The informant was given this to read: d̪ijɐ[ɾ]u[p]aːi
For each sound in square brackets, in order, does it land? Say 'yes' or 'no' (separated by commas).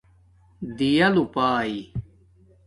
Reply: no, yes